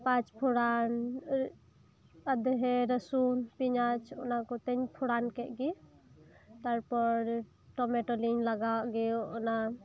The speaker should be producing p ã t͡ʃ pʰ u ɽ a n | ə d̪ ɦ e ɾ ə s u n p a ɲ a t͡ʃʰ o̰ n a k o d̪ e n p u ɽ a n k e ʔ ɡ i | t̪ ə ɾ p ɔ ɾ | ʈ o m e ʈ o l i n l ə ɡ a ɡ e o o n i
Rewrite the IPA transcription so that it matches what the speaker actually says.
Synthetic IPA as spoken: p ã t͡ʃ pʰ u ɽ a n | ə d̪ ɦ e ɾ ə s u n p i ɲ a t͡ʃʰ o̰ n a k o t̪ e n pʰ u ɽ a n k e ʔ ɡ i | t̪ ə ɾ p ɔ ɾ | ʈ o m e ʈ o l i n l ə ɡ a ɡ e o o n a